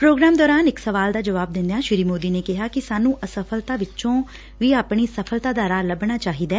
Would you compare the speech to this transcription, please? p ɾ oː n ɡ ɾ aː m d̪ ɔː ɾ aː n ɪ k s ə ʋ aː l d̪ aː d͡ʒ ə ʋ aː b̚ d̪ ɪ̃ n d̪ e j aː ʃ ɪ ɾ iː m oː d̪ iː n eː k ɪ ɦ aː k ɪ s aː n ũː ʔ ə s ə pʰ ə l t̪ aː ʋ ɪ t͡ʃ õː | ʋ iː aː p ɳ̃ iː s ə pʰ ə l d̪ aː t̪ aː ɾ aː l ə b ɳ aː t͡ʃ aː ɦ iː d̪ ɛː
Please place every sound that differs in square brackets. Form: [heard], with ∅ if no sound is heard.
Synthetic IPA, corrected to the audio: p ɾ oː [∅] ɡ ɾ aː m d̪ ɔː ɾ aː n ɪ k s ə ʋ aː l d̪ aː d͡ʒ ə ʋ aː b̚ d̪ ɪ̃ n d̪ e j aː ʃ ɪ ɾ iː m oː d̪ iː n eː k ɪ ɦ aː k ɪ s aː n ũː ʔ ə s ə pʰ ə l t̪ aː ʋ ɪ t͡ʃ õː | ʋ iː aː p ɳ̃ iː s ə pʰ ə l [t̪] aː [d̪] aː ɾ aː l ə b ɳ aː t͡ʃ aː ɦ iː d̪ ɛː